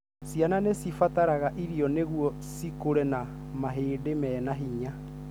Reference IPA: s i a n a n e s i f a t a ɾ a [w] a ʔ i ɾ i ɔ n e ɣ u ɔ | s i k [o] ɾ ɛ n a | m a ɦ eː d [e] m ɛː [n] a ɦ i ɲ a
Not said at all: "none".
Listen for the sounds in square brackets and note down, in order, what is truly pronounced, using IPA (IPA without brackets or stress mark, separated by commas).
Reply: ɣ, o, e, n